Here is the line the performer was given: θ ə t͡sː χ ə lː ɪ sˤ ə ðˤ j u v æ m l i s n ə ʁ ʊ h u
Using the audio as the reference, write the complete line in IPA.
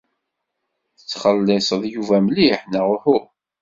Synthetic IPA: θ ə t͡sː χ ə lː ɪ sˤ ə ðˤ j u v æ m l i ħ n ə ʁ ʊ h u